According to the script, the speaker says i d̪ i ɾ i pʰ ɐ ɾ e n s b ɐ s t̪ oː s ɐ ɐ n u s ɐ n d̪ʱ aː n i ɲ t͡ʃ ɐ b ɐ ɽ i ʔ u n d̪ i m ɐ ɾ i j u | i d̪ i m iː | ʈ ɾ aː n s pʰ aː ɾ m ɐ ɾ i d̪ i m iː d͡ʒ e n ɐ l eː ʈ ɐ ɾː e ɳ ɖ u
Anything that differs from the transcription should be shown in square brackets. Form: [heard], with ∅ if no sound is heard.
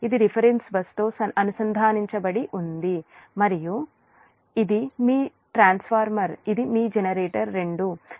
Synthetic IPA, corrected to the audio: i d̪ i ɾ i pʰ ɐ ɾ e n s b ɐ s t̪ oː s ɐ ɐ n u s ɐ n d̪ʱ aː n i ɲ t͡ʃ ɐ b ɐ ɽ i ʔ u n d̪ i m ɐ ɾ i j u | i d̪ i m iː | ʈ ɾ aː n s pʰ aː ɾ m ɐ ɾ i d̪ i m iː d͡ʒ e n ɐ [ɾ] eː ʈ ɐ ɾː e ɳ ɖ u